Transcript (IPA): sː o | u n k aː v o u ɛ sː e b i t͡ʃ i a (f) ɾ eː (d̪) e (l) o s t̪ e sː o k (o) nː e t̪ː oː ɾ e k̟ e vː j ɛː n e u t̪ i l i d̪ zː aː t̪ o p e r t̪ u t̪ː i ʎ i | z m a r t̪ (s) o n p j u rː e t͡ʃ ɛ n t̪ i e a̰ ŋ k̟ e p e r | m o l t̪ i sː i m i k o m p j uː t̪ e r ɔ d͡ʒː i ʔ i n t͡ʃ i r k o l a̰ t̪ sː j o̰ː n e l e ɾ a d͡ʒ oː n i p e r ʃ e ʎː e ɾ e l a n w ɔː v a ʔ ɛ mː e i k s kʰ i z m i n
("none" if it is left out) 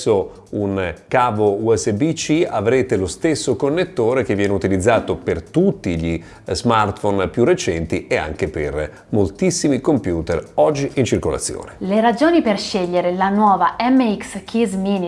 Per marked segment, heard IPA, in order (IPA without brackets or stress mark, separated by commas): v, t̪, l, o, f